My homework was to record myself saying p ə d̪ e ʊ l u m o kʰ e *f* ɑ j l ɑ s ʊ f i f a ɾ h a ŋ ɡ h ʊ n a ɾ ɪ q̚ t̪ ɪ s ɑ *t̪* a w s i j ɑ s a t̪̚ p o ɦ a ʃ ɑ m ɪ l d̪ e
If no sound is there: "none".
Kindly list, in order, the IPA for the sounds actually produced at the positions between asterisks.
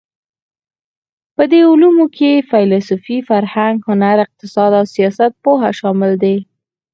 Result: f, d̪

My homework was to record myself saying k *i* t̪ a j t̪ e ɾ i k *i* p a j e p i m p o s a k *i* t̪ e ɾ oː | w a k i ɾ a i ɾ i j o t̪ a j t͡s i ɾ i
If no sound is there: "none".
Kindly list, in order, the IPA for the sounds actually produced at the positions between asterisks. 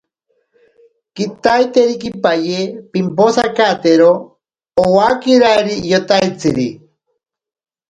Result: i, i, a

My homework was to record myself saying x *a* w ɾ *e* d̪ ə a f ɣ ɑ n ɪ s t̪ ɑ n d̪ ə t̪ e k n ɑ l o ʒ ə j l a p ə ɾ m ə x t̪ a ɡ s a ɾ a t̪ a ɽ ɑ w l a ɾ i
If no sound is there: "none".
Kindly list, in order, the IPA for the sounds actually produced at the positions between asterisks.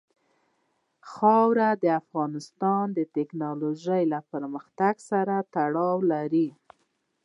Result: ɑ, a

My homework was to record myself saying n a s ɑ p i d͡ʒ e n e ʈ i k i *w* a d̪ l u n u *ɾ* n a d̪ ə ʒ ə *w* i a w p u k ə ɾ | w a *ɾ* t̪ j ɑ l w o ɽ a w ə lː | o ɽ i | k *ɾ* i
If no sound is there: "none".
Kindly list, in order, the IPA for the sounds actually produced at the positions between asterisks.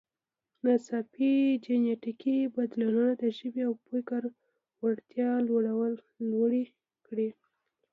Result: b, none, b, ɽ, ɽ

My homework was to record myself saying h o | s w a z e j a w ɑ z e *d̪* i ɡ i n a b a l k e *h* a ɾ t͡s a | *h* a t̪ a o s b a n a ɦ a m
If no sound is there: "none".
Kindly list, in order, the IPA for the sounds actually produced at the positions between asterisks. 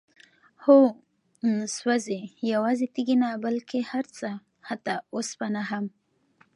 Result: t̪, h, h

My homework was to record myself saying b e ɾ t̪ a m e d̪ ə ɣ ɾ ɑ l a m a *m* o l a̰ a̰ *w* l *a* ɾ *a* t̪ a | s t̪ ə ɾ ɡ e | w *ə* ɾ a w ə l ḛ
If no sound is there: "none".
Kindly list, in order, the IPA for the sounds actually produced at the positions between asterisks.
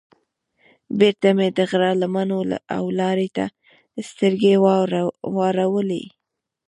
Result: n, w, ɑ, e, ɑ

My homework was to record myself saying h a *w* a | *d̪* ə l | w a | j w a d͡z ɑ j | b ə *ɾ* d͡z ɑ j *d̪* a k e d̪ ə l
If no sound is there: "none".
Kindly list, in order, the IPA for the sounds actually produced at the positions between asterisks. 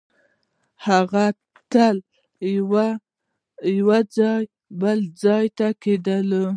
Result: ɣ, t̪, l, t̪

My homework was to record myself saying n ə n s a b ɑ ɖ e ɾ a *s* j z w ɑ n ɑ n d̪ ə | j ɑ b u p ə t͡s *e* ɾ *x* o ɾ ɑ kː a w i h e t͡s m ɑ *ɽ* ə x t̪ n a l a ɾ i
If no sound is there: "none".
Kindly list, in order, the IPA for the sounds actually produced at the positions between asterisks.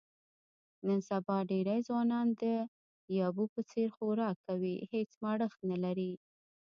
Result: none, e, x, ɽ

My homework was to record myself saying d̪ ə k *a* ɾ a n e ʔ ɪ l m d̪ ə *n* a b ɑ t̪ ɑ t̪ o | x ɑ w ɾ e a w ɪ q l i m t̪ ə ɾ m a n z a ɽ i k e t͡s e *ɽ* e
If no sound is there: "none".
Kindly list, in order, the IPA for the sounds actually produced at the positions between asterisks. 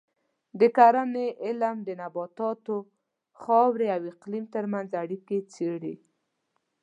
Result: a, n, ɽ

